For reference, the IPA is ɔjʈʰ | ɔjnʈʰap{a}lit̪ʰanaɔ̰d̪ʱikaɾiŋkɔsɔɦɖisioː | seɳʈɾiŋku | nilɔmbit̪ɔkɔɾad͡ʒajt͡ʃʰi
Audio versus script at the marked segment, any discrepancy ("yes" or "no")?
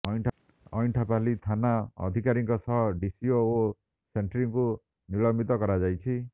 no